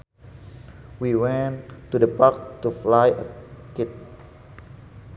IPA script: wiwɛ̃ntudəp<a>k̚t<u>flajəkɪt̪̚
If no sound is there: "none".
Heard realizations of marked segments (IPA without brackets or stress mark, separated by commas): a, u